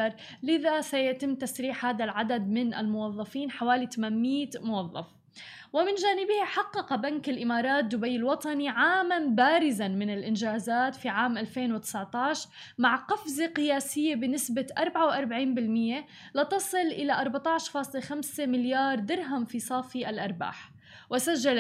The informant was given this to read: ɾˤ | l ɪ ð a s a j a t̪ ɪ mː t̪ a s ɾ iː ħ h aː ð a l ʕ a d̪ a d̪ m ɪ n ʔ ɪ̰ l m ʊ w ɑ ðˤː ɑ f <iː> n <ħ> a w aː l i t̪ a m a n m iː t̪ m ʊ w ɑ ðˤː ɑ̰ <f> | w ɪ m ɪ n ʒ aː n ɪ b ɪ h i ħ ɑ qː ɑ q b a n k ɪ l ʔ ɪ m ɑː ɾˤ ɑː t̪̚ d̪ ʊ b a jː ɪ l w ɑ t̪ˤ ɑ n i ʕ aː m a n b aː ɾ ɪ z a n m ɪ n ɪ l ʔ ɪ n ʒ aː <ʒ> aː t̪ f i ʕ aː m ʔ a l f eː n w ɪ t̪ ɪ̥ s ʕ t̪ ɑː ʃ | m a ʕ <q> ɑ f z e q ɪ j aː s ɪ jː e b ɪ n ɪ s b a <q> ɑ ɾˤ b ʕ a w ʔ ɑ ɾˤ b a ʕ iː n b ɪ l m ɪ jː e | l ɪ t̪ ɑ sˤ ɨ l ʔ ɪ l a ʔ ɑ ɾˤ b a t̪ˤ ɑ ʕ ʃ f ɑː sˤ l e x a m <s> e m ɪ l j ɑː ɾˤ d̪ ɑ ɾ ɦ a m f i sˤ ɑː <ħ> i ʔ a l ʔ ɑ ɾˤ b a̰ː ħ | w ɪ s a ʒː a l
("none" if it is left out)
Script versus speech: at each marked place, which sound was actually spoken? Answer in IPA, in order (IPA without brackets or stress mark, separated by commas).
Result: iː, ħ, f, z, q, ʔ, s, f